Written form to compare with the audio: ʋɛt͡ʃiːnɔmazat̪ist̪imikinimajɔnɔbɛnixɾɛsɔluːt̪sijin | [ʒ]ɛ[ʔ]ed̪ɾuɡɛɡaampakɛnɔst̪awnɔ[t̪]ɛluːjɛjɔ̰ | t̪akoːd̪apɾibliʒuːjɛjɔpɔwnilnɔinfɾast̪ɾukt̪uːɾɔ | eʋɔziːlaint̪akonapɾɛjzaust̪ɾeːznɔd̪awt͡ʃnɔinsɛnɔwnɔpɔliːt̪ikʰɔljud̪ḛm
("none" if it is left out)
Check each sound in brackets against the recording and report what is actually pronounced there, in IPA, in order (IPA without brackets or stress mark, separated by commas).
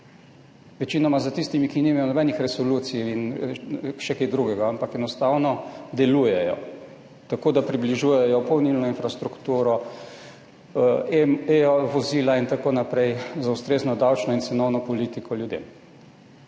ʃ, k, d̪